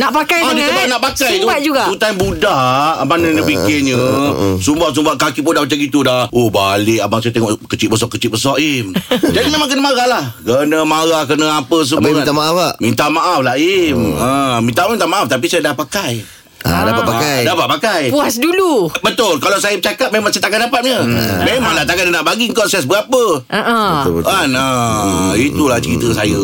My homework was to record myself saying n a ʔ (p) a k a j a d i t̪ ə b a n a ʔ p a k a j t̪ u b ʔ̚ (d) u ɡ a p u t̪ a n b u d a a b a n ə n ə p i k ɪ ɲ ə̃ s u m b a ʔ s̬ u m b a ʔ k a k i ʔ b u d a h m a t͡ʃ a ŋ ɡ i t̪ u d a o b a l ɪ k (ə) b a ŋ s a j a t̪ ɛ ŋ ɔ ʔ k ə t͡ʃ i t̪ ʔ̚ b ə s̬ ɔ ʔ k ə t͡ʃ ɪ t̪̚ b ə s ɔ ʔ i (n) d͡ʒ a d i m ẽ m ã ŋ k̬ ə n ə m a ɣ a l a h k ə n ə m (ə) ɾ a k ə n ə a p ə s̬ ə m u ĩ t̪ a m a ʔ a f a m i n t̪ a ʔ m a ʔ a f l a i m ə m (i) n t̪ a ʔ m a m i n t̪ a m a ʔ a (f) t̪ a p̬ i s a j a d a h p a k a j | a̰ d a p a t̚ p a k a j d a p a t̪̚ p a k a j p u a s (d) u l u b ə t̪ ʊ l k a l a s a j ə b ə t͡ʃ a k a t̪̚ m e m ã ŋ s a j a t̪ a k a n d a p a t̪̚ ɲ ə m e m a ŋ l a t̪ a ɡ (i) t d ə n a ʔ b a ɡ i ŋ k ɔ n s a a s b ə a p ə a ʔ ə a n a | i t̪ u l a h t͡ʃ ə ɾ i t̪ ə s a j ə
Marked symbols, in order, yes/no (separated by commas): yes, no, no, no, no, yes, yes, yes, no